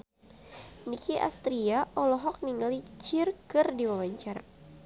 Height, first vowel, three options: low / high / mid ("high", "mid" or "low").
high